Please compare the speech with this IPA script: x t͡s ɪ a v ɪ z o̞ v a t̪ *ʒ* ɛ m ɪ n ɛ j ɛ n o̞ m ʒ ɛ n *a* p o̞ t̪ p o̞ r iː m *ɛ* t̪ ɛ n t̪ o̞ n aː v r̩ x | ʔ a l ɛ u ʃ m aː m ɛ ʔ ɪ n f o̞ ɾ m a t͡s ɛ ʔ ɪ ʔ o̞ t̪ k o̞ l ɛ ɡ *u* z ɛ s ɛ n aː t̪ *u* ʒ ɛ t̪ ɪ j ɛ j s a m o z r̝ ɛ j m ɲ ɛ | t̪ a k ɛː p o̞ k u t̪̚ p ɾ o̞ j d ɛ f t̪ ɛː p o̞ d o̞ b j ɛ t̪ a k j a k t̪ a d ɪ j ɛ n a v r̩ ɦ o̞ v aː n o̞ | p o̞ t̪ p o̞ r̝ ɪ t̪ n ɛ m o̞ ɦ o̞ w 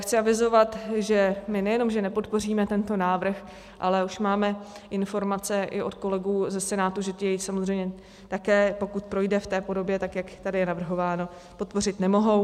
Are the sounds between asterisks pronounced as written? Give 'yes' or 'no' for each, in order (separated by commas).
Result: yes, no, yes, no, yes